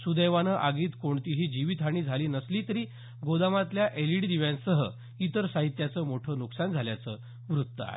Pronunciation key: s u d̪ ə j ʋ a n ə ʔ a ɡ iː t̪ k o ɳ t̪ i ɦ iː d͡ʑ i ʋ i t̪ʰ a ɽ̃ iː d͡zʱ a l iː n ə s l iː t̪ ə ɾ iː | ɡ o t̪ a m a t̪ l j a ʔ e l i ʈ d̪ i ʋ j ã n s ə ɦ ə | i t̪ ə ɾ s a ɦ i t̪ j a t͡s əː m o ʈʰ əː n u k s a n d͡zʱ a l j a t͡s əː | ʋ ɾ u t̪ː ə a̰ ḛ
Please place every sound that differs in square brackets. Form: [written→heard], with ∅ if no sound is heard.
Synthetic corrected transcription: s u d̪ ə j ʋ a n ə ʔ a ɡ iː t̪ k o ɳ t̪ i ɦ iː d͡ʑ i ʋ i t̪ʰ a ɽ̃ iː d͡zʱ a l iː n ə s l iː t̪ ə ɾ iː | ɡ o [t̪→d̪] a m a t̪ l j a ʔ e l i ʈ d̪ i ʋ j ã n s ə ɦ ə | i t̪ ə ɾ s a ɦ i t̪ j a t͡s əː m o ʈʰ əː n u k s a n d͡zʱ a l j a t͡s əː | ʋ ɾ u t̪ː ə a̰ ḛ